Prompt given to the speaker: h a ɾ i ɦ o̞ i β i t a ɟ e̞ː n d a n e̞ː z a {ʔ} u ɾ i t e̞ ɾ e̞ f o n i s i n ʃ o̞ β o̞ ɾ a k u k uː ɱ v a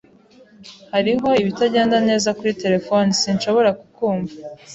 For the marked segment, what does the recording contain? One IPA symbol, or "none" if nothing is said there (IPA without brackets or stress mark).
k